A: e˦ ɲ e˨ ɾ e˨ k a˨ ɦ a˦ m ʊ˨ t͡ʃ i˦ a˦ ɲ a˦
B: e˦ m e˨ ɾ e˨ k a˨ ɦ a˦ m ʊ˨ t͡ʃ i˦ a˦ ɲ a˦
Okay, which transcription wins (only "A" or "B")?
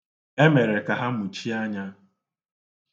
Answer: B